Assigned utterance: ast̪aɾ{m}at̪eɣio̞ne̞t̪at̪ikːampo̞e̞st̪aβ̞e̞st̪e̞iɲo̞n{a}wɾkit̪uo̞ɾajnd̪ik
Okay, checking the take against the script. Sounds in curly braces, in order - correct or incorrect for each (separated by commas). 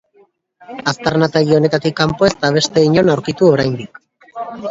incorrect, correct